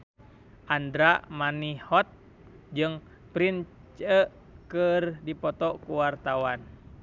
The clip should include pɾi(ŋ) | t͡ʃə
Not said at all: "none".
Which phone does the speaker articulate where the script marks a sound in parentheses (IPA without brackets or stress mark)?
n